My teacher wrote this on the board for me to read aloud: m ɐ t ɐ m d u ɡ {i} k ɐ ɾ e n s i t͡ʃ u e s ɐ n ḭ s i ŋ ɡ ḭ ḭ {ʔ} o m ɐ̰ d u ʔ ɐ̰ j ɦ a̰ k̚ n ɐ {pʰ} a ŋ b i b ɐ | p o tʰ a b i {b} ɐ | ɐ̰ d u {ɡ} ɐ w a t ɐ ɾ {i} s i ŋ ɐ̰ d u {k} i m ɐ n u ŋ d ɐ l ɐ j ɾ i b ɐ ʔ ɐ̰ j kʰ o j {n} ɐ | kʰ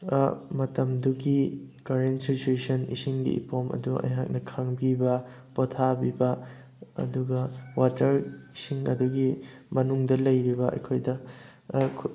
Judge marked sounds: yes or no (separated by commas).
yes, no, no, yes, yes, yes, no, no